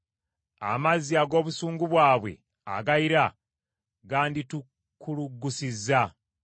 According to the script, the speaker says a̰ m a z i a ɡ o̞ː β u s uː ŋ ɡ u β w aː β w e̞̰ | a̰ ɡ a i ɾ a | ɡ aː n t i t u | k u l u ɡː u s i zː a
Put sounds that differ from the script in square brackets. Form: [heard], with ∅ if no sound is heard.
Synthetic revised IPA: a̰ m a z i a ɡ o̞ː β u s uː ŋ ɡ u β w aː β w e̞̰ | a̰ ɡ a i ɾ a | ɡ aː n [d] i t u | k u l u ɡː u s i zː a